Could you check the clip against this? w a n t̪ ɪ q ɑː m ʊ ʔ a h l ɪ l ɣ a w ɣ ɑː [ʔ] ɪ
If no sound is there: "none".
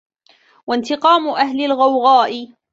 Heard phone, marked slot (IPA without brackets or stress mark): ʔ